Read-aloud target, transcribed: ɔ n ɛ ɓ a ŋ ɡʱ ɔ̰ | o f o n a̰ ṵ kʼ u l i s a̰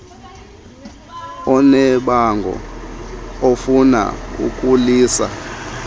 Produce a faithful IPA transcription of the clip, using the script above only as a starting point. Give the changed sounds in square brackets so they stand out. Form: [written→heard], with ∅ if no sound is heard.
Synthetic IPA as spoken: ɔ n ɛ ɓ a ŋ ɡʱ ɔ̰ | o f [o→u] n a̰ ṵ kʼ u l [i→iː] s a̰